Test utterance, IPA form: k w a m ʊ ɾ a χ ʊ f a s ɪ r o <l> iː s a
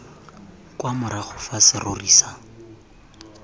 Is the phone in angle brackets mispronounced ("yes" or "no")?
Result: yes